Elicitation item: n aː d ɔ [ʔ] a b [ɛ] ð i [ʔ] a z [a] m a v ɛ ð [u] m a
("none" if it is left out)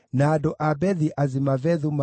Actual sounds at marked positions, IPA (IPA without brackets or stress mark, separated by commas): ʔ, ɛ, ʔ, i, u